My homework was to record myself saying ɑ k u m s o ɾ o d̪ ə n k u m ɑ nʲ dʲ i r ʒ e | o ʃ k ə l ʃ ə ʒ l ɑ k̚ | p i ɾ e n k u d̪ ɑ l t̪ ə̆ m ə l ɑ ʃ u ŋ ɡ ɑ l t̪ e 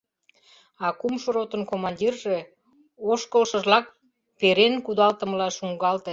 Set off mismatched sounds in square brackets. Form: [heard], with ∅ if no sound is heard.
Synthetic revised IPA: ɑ k u m [ʃ] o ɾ o [t̪] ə n k [o] m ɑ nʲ dʲ i r ʒ e | o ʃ k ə l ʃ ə ʒ l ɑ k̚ | p [e] ɾ e n k u d̪ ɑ l t̪ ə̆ m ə l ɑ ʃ u ŋ ɡ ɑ l t̪ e